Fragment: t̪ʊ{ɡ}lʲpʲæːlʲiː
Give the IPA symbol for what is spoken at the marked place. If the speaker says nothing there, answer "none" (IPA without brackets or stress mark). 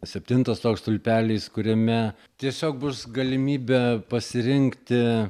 none